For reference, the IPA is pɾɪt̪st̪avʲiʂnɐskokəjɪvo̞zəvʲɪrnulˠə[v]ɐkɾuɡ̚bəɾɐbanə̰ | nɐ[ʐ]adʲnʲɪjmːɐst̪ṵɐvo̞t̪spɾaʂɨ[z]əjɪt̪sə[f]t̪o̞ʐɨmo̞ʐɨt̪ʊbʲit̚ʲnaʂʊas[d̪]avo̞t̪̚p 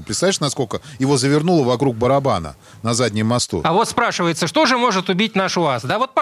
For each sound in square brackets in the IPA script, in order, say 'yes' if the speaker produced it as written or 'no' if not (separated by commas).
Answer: yes, no, no, no, yes